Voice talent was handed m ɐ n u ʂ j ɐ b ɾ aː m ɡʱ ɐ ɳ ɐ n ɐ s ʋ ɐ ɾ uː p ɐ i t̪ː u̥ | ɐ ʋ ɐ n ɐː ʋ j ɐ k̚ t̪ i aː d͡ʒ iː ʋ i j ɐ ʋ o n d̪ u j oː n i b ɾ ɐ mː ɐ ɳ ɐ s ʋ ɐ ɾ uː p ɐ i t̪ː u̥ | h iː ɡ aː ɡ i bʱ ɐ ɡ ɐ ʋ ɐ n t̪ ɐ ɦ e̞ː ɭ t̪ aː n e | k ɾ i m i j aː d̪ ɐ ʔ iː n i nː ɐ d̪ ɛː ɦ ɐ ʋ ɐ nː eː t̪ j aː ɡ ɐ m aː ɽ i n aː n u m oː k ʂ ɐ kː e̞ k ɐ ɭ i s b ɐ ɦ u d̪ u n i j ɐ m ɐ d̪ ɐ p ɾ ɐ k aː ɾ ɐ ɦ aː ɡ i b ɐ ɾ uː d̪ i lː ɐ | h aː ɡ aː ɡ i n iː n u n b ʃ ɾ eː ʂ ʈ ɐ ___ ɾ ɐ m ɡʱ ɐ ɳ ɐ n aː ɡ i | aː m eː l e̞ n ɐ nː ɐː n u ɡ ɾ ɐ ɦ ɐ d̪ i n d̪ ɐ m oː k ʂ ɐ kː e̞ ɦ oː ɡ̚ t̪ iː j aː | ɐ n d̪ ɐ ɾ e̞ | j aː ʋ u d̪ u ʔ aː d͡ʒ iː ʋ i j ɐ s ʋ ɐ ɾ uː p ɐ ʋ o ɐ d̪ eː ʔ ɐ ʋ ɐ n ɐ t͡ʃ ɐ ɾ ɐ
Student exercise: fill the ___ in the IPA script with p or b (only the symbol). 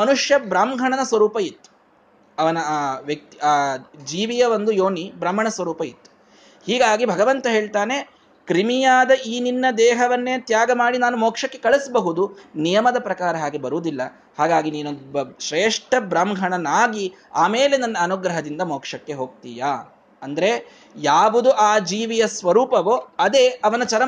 b